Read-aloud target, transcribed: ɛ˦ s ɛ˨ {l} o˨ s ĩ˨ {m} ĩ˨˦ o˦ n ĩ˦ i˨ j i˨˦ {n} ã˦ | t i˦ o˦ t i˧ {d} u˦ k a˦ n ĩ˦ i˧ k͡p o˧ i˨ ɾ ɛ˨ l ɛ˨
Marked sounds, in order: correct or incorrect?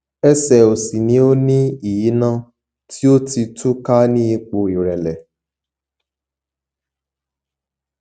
incorrect, incorrect, correct, incorrect

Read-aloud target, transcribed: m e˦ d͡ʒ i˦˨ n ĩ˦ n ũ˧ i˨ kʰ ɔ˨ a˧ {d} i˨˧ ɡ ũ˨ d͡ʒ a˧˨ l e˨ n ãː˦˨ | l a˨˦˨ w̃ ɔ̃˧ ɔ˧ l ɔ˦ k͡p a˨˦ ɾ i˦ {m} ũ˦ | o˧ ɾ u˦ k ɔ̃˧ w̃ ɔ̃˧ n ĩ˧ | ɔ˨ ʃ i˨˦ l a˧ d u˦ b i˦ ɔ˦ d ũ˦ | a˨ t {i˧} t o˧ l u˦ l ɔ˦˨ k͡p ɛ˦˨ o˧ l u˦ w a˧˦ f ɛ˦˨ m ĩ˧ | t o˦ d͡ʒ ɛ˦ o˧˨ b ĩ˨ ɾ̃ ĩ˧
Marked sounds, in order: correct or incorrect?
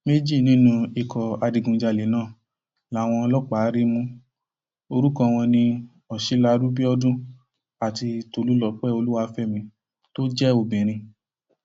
correct, correct, correct

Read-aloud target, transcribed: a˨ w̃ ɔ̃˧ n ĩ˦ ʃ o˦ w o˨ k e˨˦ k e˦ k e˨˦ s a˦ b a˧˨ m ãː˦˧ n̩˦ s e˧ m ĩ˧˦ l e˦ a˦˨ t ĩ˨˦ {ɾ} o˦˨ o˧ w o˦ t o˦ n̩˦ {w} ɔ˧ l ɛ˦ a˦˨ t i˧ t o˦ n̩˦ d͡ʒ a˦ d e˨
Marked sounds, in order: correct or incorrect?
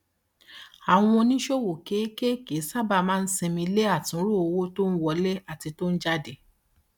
correct, correct

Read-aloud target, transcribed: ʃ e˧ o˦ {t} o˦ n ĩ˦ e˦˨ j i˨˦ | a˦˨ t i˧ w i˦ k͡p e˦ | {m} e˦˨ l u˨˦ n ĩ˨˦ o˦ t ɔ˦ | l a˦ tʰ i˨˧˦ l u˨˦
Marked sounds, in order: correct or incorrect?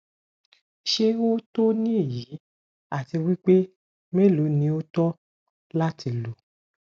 correct, correct

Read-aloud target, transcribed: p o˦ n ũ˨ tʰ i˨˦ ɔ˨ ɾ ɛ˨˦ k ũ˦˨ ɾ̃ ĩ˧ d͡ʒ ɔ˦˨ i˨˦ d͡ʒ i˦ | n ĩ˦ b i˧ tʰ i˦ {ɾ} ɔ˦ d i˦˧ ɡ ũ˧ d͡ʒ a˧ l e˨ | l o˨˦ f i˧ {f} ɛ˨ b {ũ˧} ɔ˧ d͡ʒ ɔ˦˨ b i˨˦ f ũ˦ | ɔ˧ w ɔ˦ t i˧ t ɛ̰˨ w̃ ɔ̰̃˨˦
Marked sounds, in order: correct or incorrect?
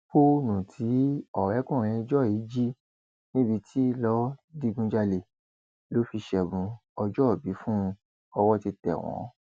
incorrect, incorrect, correct

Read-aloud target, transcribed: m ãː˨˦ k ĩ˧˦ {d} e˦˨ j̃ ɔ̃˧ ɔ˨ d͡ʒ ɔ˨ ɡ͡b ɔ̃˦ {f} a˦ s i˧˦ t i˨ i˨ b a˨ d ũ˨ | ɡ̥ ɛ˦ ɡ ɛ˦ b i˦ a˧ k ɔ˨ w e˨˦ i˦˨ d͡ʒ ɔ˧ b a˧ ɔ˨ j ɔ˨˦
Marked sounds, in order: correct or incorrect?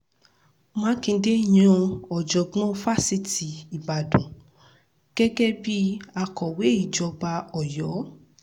correct, correct

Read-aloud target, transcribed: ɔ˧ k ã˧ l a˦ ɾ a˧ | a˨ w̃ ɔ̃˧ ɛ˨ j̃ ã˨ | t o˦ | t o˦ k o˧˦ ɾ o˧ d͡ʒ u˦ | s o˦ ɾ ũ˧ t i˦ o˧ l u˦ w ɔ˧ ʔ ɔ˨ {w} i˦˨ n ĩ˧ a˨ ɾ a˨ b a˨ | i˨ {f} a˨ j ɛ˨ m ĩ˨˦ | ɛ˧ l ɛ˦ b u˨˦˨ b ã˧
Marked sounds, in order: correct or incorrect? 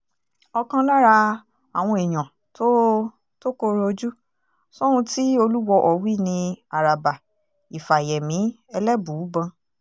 correct, correct

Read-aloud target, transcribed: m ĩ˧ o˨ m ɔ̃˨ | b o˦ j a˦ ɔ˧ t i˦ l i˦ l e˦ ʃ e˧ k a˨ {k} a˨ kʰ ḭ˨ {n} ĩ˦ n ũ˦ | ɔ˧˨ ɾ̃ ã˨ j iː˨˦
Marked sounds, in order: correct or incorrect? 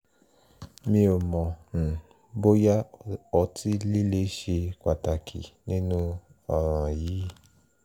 incorrect, correct

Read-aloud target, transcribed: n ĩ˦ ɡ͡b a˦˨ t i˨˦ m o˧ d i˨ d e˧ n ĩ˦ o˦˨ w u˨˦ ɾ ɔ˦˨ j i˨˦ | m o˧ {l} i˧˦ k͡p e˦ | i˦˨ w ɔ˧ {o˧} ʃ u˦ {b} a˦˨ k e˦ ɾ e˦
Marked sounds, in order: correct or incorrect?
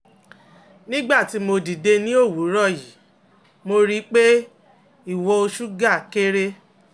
incorrect, correct, incorrect

